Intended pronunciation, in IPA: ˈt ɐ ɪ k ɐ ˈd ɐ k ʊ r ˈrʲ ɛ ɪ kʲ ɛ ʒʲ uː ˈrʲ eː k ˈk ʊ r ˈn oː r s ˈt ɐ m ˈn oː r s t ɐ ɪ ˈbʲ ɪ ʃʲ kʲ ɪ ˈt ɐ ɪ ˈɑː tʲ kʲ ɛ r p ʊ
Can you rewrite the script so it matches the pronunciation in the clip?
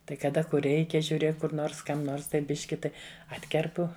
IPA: ˈt ɐ ɪ k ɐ ˈd ɐ k ʊ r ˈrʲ ɛ ɪ kʲ ɛ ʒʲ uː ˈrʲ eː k ˈk ʊ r ˈn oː r s ˈk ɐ m ˈn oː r s t ɐ ɪ ˈbʲ ɪ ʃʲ kʲ ɪ ˈt ɐ ɪ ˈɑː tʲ kʲ ɛ r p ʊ